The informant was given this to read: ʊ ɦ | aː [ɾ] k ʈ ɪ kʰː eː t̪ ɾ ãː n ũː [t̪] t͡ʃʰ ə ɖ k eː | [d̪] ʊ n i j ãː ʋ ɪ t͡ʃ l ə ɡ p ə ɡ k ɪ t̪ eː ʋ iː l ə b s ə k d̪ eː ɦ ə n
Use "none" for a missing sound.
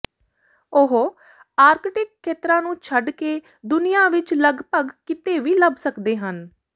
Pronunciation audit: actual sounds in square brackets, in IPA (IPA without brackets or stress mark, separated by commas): ɾ, none, d̪